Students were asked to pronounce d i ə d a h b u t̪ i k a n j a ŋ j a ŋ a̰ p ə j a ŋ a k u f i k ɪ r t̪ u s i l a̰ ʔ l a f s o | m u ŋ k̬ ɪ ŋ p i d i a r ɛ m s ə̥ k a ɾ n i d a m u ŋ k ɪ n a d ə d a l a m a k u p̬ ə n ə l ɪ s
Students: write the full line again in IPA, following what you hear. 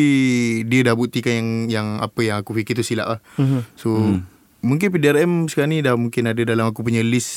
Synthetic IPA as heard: d i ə d a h b u t̪ i k a n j a ŋ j a ŋ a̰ p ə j a ŋ a k u f i k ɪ r t̪ u s i l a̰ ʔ l a h s o | m u ŋ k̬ ɪ n p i d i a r ɛ m s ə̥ k a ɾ n i d a m u ŋ k ɪ n a d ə d a l a m a k u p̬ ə ɲ ə l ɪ s